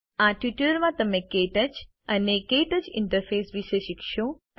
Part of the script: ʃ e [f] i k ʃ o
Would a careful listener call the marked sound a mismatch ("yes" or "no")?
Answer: yes